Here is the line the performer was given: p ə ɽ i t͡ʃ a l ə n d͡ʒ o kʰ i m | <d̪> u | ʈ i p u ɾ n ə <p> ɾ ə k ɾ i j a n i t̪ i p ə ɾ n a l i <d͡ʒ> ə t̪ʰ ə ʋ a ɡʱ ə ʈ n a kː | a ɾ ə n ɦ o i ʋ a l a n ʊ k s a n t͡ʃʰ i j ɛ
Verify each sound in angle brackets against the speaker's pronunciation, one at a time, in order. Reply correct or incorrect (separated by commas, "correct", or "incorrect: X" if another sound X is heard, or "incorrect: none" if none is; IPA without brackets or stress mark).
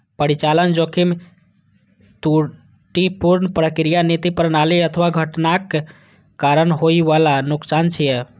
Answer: incorrect: t̪, correct, incorrect: none